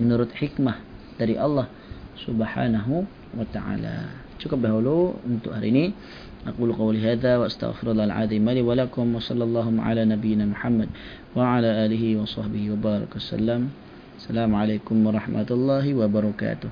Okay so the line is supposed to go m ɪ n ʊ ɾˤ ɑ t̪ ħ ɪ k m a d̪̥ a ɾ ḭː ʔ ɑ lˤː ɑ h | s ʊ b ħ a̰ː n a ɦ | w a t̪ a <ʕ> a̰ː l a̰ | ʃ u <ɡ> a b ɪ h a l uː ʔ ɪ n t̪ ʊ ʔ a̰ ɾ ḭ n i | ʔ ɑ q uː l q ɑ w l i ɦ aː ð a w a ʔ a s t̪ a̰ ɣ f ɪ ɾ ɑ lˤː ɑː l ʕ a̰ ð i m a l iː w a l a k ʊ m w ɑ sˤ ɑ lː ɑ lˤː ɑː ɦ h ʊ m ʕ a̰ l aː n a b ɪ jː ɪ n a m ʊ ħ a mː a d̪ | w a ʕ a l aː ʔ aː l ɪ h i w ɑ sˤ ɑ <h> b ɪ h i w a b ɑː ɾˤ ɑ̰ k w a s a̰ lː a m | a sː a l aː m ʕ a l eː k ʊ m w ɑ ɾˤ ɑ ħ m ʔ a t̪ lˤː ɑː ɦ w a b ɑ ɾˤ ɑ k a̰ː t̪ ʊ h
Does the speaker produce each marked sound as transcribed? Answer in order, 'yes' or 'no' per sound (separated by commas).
yes, no, no